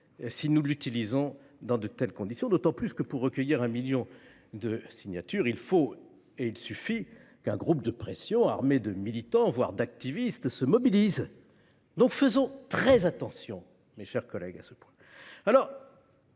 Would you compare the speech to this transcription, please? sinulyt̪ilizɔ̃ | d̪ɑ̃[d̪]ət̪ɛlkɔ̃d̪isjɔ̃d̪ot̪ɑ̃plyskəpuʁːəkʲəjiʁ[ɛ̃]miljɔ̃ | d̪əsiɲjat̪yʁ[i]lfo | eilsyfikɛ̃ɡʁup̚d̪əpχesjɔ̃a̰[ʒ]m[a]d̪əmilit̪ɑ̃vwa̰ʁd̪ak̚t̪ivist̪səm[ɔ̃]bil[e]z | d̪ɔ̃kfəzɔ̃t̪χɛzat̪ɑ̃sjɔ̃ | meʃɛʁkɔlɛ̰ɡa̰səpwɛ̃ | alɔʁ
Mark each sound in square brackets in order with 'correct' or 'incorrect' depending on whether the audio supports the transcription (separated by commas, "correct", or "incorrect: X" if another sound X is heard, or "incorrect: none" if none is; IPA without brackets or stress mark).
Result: correct, correct, correct, incorrect: ʁ, incorrect: e, incorrect: ɔ, incorrect: i